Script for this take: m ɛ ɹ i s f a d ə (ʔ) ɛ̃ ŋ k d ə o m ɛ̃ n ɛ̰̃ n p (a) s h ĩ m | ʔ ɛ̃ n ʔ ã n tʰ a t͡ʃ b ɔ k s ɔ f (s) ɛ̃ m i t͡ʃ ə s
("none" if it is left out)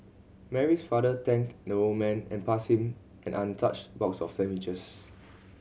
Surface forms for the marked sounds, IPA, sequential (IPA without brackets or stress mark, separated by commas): t, a, s